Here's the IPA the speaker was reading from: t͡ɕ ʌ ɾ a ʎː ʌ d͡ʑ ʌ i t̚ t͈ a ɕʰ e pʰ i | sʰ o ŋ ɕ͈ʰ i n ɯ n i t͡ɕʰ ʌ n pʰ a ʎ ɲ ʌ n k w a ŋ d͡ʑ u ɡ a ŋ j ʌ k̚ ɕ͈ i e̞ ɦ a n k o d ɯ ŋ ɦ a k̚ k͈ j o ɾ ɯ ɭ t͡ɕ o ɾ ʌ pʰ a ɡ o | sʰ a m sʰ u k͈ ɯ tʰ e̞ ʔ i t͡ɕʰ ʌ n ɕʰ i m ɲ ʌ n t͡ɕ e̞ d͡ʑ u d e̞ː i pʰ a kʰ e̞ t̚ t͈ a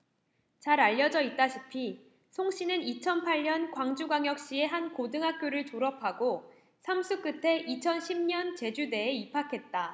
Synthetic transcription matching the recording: t͡ɕ a ɾ a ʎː ʌ d͡ʑ ʌ i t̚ t͈ a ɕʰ i pʰ i | sʰ o ŋ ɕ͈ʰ i n ɯ n i t͡ɕʰ ʌ n pʰ a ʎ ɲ ʌ n k w a ŋ d͡ʑ u ɡ a ŋ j ʌ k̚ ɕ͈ i e̞ ɦ a n k o d ɯ ŋ ɦ a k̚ k͈ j o ɾ ɯ ɭ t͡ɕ o ɾ ʌ pʰ a ɡ o | sʰ a m sʰ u k͈ ɯ tʰ e̞ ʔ i t͡ɕʰ ʌ n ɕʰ i m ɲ ʌ n t͡ɕ e̞ d͡ʑ u d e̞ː i pʰ a kʰ e̞ t̚ t͈ a